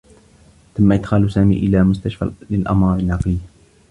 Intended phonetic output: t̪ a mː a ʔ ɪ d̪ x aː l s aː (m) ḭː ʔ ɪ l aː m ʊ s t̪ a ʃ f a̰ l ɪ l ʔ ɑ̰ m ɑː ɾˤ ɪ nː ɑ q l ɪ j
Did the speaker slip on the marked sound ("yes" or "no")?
no